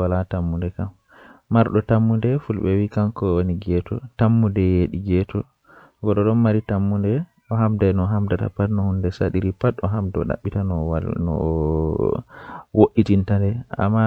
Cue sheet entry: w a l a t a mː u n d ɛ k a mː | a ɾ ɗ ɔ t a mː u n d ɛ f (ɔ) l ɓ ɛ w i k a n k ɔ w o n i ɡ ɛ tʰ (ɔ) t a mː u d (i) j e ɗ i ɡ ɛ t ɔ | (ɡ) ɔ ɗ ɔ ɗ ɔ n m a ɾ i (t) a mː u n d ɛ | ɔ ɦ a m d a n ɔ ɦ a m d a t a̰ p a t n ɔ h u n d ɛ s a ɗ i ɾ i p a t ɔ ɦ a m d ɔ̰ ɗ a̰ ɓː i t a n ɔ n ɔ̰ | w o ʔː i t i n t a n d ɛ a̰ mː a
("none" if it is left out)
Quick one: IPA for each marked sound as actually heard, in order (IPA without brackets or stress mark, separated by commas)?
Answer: u, ɔ, ɛ, ɡ, t